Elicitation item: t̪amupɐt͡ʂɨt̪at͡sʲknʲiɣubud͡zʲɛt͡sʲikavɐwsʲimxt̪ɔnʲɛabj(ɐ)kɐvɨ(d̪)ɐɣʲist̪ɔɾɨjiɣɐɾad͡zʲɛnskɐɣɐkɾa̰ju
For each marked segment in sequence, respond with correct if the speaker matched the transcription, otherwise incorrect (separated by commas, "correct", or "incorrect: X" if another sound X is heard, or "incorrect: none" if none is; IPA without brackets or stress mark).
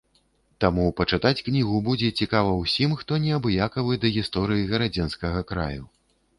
incorrect: a, correct